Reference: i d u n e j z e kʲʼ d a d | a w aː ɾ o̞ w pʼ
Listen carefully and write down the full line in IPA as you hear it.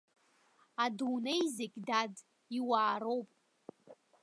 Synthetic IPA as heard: a d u n e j z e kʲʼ d a d | i w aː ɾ o̞ w pʼ